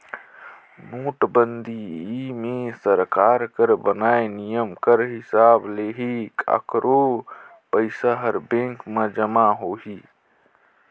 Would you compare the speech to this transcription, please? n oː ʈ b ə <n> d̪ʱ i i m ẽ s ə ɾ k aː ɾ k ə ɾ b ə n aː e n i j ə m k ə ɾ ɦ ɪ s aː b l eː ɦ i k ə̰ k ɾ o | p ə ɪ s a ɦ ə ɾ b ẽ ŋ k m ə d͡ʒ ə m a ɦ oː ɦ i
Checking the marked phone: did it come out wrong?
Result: no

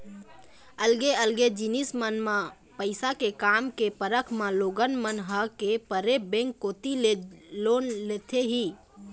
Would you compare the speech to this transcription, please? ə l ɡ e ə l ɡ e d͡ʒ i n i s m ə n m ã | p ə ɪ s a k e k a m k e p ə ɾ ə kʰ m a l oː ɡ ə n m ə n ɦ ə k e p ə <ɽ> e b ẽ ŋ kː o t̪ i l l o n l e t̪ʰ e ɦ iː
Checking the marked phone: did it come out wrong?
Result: yes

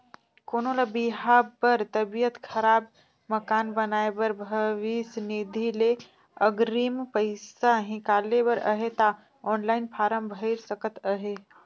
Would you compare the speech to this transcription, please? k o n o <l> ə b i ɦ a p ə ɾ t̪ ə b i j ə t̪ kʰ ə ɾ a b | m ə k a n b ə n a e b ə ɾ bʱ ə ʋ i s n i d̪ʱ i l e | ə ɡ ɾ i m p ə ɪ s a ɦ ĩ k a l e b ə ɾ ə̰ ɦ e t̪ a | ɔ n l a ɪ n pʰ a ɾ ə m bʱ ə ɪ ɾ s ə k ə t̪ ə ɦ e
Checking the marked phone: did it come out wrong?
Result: no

